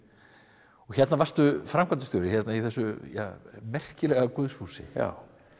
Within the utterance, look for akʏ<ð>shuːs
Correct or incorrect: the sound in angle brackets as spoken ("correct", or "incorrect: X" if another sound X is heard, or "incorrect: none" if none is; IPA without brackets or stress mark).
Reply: correct